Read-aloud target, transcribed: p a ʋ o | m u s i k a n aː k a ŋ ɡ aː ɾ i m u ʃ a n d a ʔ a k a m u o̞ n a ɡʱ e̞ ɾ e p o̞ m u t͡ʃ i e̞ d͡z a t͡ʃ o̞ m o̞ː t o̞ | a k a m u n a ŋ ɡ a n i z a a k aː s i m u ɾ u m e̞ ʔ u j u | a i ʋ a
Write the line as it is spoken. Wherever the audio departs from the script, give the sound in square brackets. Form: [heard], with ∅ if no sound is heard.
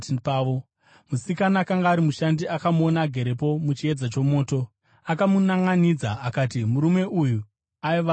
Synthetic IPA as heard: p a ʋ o | m u s i k a n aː k a ŋ ɡ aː ɾ i m u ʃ a n d [i] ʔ a k a m u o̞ n a ɡʱ e̞ ɾ e p o̞ m u t͡ʃ i e̞ d͡z a t͡ʃ o̞ m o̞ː t o̞ | a k a m u n a ŋ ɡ a n i [d͡z] a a k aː [t] i m u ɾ u m e̞ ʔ u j u | a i ʋ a